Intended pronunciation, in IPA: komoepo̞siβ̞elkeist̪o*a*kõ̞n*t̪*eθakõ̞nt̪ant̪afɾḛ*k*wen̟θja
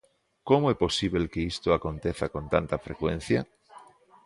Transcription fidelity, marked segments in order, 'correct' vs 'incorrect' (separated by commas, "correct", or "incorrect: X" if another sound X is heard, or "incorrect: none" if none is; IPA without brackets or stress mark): correct, correct, correct